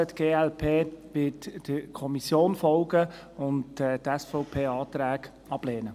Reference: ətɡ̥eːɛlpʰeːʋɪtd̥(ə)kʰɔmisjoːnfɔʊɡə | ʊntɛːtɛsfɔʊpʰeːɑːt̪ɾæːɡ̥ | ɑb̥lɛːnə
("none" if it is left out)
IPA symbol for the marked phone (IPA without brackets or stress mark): ə